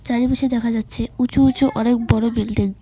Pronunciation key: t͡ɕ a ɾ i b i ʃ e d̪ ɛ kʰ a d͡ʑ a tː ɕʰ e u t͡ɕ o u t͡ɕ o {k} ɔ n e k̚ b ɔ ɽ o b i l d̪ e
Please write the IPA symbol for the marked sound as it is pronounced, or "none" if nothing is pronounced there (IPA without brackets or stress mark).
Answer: ʔ